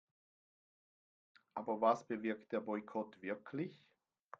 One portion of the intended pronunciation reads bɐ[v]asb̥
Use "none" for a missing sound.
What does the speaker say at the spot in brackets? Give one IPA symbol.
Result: v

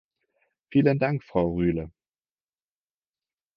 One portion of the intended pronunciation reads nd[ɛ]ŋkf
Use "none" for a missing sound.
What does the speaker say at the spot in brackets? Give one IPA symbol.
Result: a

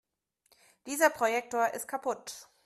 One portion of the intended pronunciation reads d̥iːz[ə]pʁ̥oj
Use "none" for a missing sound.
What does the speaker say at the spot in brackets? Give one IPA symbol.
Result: ɐ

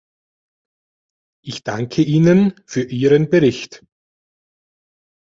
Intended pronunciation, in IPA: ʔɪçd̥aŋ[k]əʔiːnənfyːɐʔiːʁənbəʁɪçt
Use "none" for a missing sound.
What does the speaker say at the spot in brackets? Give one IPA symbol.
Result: kʰ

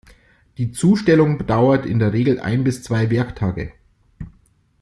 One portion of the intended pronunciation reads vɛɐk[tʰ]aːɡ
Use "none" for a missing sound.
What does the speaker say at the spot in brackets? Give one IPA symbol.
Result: tʰ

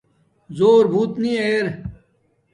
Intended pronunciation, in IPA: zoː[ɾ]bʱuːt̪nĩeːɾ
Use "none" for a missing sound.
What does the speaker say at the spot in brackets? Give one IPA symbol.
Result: ɾ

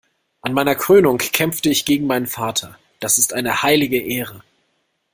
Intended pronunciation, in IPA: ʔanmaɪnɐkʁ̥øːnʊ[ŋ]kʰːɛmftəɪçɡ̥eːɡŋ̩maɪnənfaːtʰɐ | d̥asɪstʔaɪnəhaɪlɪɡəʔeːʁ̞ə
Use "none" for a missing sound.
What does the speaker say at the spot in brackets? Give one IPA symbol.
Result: ŋ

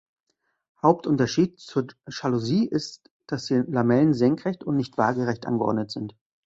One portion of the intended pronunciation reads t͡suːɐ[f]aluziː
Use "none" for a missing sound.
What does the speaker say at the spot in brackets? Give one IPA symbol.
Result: ʃ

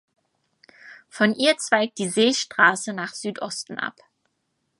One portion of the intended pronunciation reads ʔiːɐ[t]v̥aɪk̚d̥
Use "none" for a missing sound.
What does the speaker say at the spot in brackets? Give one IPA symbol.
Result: t͡s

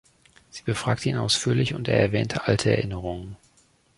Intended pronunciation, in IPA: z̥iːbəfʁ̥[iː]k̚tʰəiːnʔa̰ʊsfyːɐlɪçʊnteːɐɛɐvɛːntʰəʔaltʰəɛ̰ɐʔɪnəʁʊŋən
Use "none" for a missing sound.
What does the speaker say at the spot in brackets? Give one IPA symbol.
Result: aː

